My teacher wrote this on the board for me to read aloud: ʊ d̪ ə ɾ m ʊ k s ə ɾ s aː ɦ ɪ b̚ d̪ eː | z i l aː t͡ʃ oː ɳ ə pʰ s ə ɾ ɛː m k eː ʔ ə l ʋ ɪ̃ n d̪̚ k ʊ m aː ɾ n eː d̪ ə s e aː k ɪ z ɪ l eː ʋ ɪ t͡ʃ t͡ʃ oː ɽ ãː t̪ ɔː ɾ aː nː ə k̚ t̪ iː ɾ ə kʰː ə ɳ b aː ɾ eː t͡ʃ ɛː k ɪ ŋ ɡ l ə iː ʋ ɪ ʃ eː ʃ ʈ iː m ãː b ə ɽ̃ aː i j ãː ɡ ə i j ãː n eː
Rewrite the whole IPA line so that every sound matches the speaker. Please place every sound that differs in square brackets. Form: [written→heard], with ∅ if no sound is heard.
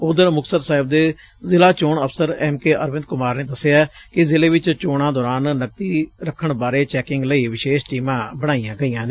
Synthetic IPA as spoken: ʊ d̪ ə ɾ m ʊ k s ə ɾ s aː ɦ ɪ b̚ d̪ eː | z [i→ɪ] l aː t͡ʃ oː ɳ ə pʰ s ə ɾ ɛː m k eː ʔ ə [l→ɾ] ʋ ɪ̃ n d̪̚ k ʊ m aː ɾ n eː d̪ ə s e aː k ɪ z ɪ l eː ʋ ɪ t͡ʃ t͡ʃ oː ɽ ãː [t̪→d̪] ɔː ɾ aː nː ə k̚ t̪ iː ɾ ə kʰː ə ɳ b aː ɾ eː t͡ʃ ɛː k ɪ ŋ ɡ l ə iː ʋ ɪ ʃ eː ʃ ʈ iː m ãː b ə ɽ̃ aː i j ãː ɡ ə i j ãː n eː